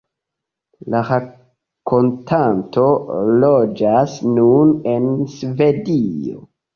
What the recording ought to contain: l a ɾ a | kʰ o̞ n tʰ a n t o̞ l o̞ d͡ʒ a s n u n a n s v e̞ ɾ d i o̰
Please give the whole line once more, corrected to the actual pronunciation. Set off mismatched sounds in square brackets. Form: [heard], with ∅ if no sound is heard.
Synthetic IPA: l a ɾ a | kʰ o̞ n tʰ a n t o̞ l o̞ d͡ʒ a s n u n [e] n s v e̞ [∅] d i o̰